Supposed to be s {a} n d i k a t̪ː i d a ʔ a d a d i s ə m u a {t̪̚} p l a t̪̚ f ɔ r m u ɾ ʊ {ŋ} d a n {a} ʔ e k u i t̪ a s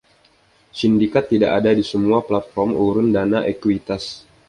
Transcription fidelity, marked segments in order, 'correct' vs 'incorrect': incorrect, incorrect, incorrect, correct

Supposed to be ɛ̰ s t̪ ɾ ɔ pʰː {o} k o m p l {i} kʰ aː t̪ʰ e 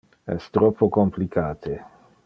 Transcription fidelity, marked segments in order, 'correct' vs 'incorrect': correct, correct

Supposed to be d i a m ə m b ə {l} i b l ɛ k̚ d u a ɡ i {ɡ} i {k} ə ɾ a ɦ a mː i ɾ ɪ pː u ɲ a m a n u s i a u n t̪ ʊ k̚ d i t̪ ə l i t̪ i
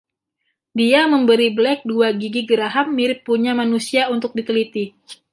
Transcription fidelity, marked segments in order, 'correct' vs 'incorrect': incorrect, correct, incorrect

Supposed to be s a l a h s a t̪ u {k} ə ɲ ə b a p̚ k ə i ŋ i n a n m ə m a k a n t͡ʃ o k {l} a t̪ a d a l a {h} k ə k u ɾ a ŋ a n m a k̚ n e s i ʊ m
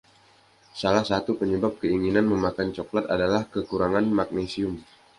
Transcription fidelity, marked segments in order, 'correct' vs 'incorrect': incorrect, correct, correct

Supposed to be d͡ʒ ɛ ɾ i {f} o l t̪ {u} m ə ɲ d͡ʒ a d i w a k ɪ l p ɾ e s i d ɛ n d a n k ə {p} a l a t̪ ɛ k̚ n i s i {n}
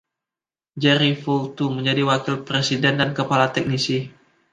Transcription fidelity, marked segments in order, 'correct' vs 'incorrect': correct, correct, correct, incorrect

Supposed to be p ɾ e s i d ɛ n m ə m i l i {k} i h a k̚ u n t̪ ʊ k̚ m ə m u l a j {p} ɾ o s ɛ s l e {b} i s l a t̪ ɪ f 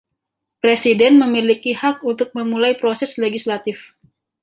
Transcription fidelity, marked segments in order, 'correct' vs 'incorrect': correct, correct, incorrect

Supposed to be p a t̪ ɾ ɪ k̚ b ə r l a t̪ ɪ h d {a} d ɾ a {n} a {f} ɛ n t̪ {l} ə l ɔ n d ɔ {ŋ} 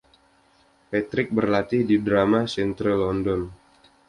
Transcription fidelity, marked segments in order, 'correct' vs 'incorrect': incorrect, incorrect, incorrect, incorrect, incorrect

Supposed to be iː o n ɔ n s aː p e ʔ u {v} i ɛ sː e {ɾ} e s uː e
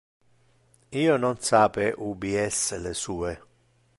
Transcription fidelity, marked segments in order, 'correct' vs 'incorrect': incorrect, incorrect

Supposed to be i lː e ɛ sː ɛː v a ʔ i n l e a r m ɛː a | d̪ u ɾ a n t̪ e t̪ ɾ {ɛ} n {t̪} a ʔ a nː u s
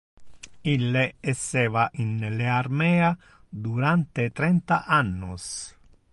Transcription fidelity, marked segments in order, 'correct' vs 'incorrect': correct, correct

